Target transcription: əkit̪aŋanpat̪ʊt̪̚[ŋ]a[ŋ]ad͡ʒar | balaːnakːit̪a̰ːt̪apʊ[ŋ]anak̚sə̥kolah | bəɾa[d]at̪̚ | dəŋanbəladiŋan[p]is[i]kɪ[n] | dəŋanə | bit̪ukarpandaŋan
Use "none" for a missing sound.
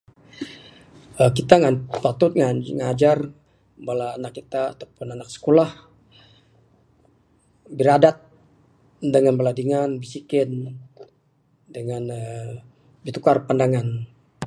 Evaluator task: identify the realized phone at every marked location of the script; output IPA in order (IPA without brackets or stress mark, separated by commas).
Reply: ŋ, ŋ, n, d, b, i, n